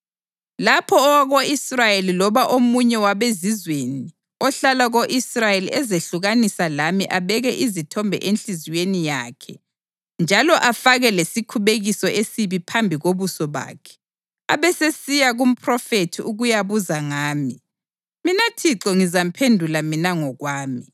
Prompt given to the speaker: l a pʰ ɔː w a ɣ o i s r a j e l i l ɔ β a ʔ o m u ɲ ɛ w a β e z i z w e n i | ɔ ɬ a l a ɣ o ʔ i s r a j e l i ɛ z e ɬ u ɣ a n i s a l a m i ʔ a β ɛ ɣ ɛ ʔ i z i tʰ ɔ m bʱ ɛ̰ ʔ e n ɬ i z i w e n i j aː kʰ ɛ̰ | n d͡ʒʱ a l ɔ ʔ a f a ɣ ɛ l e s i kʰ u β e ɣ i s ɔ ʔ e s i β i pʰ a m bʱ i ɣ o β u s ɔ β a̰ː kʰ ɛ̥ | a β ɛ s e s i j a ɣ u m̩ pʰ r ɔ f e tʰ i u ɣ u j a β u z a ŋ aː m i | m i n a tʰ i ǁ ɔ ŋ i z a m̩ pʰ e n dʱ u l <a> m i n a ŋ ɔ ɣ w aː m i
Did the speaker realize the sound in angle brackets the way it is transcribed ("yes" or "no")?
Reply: yes